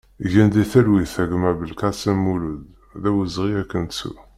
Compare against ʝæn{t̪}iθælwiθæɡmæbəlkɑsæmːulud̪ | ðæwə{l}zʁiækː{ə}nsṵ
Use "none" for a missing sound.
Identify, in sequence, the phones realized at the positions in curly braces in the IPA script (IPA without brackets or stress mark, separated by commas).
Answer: d̪, none, ə